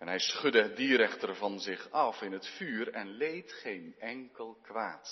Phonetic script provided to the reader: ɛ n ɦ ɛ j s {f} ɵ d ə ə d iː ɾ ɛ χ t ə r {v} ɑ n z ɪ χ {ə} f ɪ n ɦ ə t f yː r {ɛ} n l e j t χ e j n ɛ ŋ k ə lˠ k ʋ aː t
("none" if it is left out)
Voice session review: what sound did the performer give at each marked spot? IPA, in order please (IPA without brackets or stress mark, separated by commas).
χ, v, ɑ, ɛ